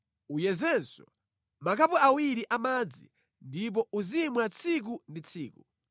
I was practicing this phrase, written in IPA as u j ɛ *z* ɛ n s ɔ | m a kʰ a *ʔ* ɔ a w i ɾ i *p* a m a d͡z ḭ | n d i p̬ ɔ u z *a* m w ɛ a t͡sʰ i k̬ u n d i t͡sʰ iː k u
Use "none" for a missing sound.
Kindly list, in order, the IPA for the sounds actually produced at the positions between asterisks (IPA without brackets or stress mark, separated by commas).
z, p, ʔ, i